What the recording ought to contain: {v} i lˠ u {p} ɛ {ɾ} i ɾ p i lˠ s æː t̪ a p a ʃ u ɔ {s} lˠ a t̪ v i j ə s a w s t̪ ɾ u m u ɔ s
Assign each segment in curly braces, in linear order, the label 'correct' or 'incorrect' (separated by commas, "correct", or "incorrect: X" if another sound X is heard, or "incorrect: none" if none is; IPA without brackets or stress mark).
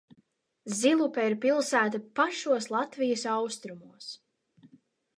incorrect: z, correct, incorrect: none, correct